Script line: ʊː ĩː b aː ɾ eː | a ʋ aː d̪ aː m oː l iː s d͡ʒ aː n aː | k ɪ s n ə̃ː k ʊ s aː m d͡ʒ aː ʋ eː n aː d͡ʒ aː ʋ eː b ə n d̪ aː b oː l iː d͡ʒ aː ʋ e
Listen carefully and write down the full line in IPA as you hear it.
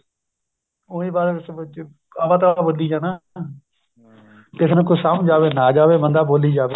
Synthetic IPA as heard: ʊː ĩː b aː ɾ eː | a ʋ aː t̪ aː b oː l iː d͡ʒ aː n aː | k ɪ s n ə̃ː k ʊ s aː m d͡ʒ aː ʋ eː n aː d͡ʒ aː ʋ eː b ə n d̪ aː b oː l iː d͡ʒ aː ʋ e

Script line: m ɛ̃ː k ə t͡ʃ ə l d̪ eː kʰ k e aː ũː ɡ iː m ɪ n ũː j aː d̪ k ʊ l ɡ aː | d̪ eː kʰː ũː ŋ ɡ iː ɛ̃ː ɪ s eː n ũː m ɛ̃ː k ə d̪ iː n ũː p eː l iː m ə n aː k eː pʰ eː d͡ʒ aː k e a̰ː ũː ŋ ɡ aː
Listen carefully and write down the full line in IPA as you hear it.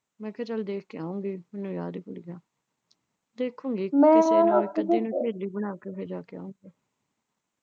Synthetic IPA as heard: m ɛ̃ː k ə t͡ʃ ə l d̪ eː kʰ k e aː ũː ɡ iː m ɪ n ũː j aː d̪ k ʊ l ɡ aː | d̪ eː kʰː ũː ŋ ɡ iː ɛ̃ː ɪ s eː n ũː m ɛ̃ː k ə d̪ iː n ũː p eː l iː b ə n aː k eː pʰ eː d͡ʒ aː k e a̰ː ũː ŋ ɡ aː

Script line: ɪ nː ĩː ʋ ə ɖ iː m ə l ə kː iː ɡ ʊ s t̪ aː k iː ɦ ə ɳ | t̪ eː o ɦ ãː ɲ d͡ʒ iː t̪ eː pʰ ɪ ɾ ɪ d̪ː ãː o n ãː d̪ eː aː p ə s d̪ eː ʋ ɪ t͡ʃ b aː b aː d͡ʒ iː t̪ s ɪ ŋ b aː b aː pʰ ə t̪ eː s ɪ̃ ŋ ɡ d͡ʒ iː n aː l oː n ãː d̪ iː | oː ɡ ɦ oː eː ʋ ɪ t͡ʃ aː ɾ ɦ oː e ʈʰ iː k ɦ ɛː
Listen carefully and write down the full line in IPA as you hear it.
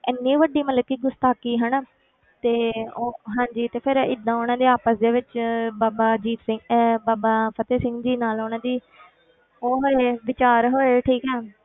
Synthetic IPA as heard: ɪ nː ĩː ʋ ə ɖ iː m ə l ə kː iː ɡ ʊ s t̪ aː k iː ɦ ə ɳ | t̪ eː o ɦ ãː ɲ d͡ʒ iː t̪ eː pʰ ɪ ɾ ɪ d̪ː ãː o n ãː d̪ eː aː p ə s d̪ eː ʋ ɪ t͡ʃ b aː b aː d͡ʒ iː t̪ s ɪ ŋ b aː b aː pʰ ə t̪ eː s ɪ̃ ŋ ɡ d͡ʒ iː n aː l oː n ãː d̪ iː | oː ɦ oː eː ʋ ɪ t͡ʃ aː ɾ ɦ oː e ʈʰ iː k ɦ ɛː

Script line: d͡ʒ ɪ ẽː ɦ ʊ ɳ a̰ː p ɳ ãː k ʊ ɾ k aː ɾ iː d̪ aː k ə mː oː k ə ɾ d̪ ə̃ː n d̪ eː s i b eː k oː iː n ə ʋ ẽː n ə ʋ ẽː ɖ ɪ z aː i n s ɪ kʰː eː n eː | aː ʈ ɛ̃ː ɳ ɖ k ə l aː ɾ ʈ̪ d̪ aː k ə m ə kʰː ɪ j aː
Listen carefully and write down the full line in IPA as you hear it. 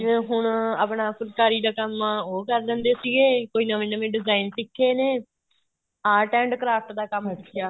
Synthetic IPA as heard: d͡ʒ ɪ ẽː ɦ ʊ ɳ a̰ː p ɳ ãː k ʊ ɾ k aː ɾ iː d̪ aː k ə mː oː k ə ɾ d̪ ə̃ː n d̪ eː s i ɡ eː k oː iː n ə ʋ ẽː n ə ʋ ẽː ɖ ɪ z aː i n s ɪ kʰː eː n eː | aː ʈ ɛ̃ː ɳ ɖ k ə ɾ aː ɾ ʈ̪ d̪ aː k ə m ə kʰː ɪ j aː

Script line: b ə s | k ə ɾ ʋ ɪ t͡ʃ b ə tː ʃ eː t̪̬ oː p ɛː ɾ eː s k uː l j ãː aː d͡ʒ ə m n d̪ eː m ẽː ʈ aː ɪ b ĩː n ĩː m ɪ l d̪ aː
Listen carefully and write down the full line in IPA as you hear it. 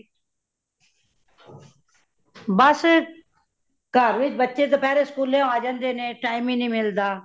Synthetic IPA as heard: b ə s | k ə ɾ ʋ ɪ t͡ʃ b ə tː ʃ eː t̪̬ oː p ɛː ɾ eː s k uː l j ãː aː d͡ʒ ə n d̪ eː n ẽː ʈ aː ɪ m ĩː n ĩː m ɪ l d̪ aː

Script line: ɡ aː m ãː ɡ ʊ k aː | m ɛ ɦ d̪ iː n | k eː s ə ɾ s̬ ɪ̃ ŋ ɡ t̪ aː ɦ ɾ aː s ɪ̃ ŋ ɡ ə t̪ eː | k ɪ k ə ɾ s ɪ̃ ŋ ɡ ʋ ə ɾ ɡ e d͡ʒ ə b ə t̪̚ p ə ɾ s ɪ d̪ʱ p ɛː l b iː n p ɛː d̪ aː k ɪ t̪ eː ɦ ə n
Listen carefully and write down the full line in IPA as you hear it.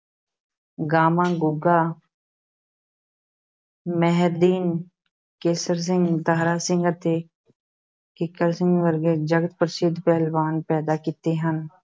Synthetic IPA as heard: ɡ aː m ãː ɡ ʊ ɡ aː | m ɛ ɦ d̪ iː n | k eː s ə ɾ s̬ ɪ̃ ŋ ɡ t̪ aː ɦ ɾ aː s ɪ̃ ŋ ɡ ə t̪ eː | k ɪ k ə ɾ s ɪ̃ ŋ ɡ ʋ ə ɾ ɡ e d͡ʒ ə ɡ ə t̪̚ p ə ɾ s ɪ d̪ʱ p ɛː l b aː n p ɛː d̪ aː k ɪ t̪ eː ɦ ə n

